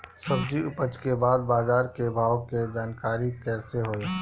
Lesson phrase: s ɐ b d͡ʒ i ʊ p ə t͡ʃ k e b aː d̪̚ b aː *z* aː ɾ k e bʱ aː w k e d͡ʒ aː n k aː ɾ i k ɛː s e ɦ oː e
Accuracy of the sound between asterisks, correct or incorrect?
correct